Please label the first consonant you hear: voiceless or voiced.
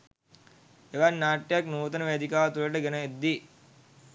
voiced